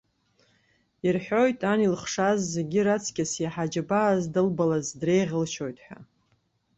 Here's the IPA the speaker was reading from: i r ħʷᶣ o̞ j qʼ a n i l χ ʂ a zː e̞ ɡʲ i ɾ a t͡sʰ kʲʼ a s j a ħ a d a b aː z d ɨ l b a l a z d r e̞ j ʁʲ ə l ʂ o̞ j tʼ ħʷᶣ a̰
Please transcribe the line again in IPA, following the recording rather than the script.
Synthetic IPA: i r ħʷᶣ o̞ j tʼ a n i l χ ʂ a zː e̞ ɡʲ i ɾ a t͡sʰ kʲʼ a s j a ħ a d͡ʒ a b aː z d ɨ l b a l a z d r e̞ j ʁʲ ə l ʃ o̞ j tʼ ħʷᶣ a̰